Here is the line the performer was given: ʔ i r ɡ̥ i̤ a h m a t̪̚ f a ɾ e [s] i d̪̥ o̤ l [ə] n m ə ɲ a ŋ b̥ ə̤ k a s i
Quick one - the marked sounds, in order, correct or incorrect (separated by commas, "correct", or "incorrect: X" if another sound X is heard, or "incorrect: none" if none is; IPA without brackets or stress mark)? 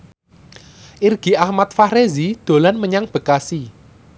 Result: incorrect: z, incorrect: a